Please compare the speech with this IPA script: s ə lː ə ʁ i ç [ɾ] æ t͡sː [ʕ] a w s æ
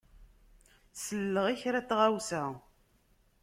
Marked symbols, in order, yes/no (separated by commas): yes, no